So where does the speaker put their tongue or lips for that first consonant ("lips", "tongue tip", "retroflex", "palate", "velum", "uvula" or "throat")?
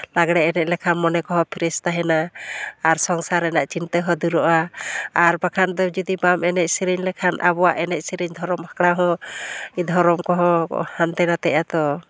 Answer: tongue tip